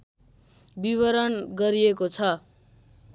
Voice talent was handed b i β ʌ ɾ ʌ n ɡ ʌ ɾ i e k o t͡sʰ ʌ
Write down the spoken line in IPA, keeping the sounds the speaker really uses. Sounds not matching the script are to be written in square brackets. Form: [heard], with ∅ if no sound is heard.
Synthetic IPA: b i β ʌ ɾ ʌ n ɡ ʌ ɾ i e k o t͡sʰ ʌ